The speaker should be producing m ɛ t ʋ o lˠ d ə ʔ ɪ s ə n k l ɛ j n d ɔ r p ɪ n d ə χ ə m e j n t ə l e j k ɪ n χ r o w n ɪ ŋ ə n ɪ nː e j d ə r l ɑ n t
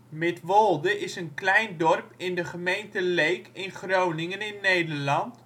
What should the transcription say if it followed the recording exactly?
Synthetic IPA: m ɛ t ʋ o lˠ d ə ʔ ɪ s ə n k l ɛ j n d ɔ r p ɪ n d ə χ ə m e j n t ə l e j k ɪ n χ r o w n ɪ ŋ ə n ɪ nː e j d ə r l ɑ n t

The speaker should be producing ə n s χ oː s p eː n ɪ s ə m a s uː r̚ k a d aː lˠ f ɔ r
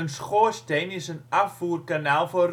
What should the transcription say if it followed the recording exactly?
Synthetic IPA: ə n s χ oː s t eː n ɪ s ə n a f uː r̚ k a n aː lˠ f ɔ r

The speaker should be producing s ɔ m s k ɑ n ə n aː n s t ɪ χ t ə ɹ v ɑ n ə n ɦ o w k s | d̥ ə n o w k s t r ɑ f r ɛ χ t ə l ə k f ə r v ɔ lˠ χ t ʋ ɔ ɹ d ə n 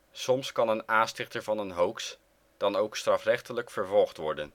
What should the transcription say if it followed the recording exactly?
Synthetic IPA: s ɔ m s k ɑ n ə n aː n s t ɪ χ t ə ɹ v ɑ n ə n ɦ o w k s | d̥ ɑ n o w k s t r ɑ f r ɛ χ t ə l ə k f ə ɹ v ɔ lˠ χ t ʋ ɔ ɹ d ə n

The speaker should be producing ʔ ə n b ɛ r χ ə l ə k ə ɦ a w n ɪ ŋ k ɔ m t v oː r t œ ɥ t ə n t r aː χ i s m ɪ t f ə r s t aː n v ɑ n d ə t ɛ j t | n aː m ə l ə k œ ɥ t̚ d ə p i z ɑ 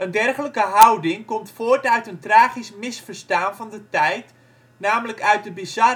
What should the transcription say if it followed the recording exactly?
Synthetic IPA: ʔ ə n d ɛ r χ ə l ə k ə ɦ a w d ɪ ŋ k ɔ m t f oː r t œ ɥ t ə n t r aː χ i s m ɪ s f ə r s t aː n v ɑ n d ə t ɛ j t | n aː m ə l ə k œ ɥ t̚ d ə b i z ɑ

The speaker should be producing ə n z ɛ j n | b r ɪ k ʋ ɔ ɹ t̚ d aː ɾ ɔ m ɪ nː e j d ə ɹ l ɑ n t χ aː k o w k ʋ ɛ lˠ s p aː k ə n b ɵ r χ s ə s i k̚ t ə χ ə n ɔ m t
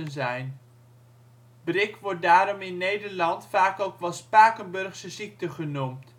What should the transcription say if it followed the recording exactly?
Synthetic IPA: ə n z ɛ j n | b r ɪ k ʋ ɔ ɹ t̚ d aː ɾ ɔ m ɪ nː e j d ə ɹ l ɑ n t f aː k o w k ʋ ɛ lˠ s p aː k ə n b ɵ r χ s ə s i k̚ t ə χ ə n u m t

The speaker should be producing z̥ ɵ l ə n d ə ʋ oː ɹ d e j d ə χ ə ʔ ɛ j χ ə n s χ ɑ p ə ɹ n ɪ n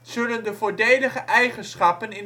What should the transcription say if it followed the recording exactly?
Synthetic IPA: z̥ ɵ l ə n d ə v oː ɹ d e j d ə χ ə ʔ ɛ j χ ə n s χ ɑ p ə n ɪ n

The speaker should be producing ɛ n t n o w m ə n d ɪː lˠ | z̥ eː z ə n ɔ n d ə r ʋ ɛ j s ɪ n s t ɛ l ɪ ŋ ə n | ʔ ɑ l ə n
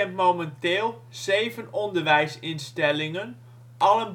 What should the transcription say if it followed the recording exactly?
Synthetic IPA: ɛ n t m o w m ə n t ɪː lˠ | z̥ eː v ə n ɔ n d ə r ʋ ɛ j s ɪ n s t ɛ l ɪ ŋ ə n | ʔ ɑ l ə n

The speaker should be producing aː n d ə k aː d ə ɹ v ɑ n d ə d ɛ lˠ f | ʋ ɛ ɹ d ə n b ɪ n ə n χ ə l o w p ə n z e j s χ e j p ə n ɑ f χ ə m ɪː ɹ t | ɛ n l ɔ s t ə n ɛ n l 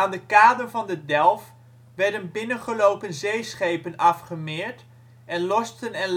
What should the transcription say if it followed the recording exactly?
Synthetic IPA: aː n d ə k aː d ə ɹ v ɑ n d ə d ɛ lˠ f | ʋ ɛ ɹ d ə n b ɪ n ə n χ ə l o w p ə n z e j s χ e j p ə n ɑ f χ ə m ɪː ɹ t | ɛ n l ɔ s t ə n ɛ n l

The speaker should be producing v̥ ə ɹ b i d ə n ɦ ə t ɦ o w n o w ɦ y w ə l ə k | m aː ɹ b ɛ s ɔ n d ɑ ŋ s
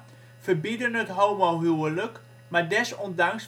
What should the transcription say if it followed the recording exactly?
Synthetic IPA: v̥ ə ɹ b i d ə n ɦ ə t ɦ o w m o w ɦ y w ə l ə k | m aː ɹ d ɛ s ɔ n d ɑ ŋ s

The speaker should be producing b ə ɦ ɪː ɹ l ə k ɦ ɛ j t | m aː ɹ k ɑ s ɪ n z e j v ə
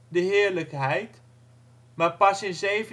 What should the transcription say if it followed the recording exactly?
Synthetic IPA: d ə ɦ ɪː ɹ l ə k ɦ ɛ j t | m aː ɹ p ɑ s ɪ n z e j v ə

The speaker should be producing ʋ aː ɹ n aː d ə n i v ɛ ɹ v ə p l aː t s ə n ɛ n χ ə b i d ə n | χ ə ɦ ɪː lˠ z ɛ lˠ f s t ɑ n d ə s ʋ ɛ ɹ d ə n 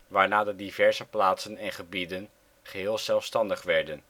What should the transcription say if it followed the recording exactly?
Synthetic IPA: ʋ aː ɹ n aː d ə d i v ɛ ɹ z ə p l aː t s ə n ɛ n χ ə b i d ə n | χ ə ɦ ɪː lˠ z ɛ lˠ f s t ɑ n d ə χ ʋ ɛ ɹ d ə n

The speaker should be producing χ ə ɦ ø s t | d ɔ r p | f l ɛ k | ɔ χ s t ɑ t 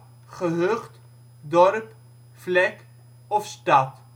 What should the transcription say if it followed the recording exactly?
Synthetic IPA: χ ə ɦ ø χ t | d ɔ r p | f l ɛ k | ɔ f s t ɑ t

